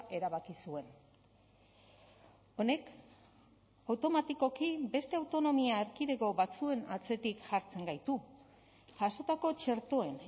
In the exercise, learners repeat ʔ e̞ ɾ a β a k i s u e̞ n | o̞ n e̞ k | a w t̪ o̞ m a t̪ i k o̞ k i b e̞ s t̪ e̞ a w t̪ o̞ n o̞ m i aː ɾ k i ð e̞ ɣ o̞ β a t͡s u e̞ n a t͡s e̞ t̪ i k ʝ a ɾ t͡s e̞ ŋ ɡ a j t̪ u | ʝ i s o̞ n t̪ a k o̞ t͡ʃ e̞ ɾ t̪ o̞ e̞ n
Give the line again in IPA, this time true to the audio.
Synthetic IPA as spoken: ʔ e̞ ɾ a β a k i s u e̞ n | o̞ n e̞ k | a w t̪ o̞ m a t̪ i k o̞ k i b e̞ s t̪ e̞ a w t̪ o̞ n o̞ m i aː ɾ k i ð e̞ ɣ o̞ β a t͡s u e̞ n a t͡s e̞ t̪ i k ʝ a ɾ t͡s e̞ ŋ ɡ a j t̪ u | ʝ a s o̞ t̪ a k o̞ t͡ʃ e̞ ɾ t̪ o̞ e̞ n